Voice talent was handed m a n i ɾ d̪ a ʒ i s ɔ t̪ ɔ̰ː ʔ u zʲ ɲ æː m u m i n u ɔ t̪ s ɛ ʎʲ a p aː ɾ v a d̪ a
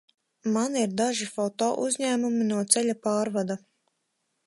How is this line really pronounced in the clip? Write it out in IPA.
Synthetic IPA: m a n i ɾ d̪ a ʒ i f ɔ t̪ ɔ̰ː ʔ u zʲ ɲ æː m u m i n u ɔ t̪ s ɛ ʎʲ a p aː ɾ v a d̪ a